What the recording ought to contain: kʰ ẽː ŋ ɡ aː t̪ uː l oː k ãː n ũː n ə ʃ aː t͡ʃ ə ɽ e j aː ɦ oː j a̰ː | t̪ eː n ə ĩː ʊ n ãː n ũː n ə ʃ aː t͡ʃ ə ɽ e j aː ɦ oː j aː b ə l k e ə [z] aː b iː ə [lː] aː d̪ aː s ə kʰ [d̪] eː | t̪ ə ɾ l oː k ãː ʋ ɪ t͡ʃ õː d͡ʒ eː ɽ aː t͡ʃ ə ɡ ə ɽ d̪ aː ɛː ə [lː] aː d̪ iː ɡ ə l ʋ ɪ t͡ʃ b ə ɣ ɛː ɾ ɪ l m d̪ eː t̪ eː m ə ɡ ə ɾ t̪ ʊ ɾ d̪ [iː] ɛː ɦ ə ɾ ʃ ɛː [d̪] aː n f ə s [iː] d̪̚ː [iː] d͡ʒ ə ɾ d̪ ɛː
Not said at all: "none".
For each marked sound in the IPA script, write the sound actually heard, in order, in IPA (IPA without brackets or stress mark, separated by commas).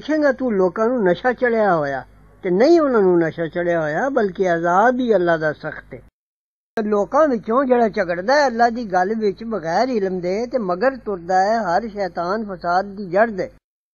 z, lː, t̪, lː, aː, t̪, aː, iː